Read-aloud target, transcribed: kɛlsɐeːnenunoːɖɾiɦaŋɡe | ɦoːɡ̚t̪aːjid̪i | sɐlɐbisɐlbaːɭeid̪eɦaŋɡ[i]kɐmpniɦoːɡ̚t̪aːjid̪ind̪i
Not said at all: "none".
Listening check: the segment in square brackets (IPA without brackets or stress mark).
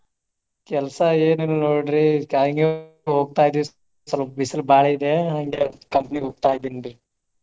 e